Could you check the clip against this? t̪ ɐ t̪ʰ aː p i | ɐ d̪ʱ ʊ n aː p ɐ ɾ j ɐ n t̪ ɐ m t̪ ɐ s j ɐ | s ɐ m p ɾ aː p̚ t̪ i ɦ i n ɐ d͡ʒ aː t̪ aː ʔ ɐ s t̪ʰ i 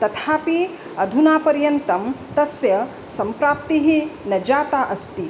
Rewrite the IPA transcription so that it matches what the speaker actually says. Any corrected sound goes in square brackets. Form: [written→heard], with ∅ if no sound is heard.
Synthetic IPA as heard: t̪ ɐ t̪ʰ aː p i | ɐ d̪ʱ [ʊ→u] n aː p ɐ ɾ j ɐ n t̪ ɐ m t̪ ɐ s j ɐ | s ɐ m p ɾ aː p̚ t̪ i ɦ i n ɐ d͡ʒ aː t̪ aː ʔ ɐ s [t̪ʰ→t̪] i